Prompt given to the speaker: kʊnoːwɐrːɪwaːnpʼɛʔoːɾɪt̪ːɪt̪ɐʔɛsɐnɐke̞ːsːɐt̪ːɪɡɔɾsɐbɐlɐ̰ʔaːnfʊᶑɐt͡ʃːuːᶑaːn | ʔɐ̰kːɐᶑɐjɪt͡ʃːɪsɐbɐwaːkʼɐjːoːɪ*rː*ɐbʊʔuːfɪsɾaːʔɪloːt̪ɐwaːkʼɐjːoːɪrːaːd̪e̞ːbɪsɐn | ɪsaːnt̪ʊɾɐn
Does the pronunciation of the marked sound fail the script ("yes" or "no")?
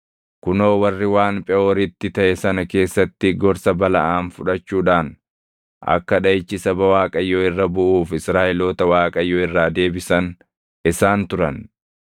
no